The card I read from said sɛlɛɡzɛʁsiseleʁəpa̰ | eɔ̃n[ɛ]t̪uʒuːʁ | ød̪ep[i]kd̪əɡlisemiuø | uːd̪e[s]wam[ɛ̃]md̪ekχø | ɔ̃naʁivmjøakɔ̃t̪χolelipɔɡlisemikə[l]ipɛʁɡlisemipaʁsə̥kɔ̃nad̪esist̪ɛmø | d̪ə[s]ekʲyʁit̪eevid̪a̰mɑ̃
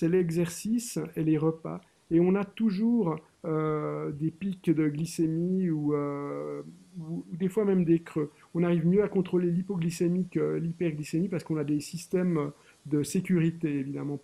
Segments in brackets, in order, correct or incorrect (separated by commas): incorrect, correct, incorrect, incorrect, correct, correct